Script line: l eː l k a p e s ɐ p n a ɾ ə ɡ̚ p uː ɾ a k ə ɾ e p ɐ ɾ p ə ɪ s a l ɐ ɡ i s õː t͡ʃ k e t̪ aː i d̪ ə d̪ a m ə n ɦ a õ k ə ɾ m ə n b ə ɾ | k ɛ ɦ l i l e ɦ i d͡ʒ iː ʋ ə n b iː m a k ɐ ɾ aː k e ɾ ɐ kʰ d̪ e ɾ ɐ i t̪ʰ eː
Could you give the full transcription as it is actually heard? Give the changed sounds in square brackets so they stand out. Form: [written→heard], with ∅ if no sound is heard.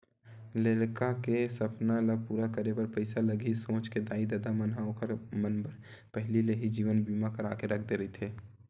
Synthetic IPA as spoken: l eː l k a [p→k] e s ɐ p n a [ɾ→l] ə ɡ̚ p uː ɾ a k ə ɾ e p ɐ ɾ p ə ɪ s a l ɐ ɡ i s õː t͡ʃ k e [t̪→d̪] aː i d̪ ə d̪ a m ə n ɦ a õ k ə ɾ m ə n b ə ɾ | [k→p] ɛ ɦ l i l e ɦ i d͡ʒ iː ʋ ə n b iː m a k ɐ ɾ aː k e ɾ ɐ kʰ d̪ e ɾ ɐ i t̪ʰ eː